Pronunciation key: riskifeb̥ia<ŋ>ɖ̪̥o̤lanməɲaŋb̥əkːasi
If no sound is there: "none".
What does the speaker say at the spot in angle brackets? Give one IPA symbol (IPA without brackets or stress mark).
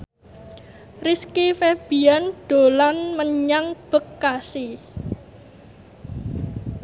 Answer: n